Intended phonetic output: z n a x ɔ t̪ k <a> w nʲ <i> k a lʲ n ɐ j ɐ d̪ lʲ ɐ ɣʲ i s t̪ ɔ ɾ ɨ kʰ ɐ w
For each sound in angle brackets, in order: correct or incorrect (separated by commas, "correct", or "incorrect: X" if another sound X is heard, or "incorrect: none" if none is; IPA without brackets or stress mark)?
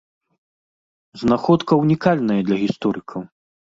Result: incorrect: ɐ, correct